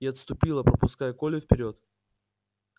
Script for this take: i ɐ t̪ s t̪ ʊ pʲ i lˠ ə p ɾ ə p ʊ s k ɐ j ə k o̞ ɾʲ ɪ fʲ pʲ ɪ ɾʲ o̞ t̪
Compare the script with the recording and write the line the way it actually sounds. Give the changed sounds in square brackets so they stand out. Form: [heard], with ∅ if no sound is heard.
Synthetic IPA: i ɐ t̪ s t̪ ʊ pʲ i lˠ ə p ɾ ə p ʊ s k [a] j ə k o̞ [lʲ] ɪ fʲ pʲ ɪ ɾʲ o̞ t̪